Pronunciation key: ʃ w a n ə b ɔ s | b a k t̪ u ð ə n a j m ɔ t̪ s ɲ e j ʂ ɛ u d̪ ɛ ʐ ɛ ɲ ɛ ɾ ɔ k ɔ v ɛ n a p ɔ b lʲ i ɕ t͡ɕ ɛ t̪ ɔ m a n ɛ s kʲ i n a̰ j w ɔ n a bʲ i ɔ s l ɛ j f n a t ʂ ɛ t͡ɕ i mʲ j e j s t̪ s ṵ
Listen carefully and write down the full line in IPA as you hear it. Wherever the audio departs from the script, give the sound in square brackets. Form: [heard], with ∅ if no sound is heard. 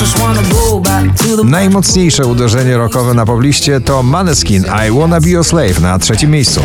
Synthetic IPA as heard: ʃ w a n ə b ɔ [∅] | b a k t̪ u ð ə n a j m ɔ t̪ s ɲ e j ʂ ɛ u d̪ ɛ ʐ ɛ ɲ ɛ ɾ ɔ k ɔ v ɛ n a p ɔ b lʲ i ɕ t͡ɕ ɛ t̪ ɔ m a n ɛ s kʲ i n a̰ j w ɔ n a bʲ i ɔ s l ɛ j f n a t ʂ ɛ t͡ɕ i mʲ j e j s t̪ s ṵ